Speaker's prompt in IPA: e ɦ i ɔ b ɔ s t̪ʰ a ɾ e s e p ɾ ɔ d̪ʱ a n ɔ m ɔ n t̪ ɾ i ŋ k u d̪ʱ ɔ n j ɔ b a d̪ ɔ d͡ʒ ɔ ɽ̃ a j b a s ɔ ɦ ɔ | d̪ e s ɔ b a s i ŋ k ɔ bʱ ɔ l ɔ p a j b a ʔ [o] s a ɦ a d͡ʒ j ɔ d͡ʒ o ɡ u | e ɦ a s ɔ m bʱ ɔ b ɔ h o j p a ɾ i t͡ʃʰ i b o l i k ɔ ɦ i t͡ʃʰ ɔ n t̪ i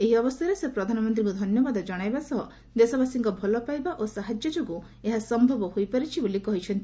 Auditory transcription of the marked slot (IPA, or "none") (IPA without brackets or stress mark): o